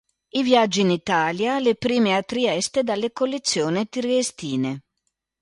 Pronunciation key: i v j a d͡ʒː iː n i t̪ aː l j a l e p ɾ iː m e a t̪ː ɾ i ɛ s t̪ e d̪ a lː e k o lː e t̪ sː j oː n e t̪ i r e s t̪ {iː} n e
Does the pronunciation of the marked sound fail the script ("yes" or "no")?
no